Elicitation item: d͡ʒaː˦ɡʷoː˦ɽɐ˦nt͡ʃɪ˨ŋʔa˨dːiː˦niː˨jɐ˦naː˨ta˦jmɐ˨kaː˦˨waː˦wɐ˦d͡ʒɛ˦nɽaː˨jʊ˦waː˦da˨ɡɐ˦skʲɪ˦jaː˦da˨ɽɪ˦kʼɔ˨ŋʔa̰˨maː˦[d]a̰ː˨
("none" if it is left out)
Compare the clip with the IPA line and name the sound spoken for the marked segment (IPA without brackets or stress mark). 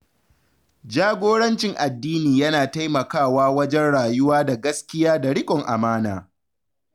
n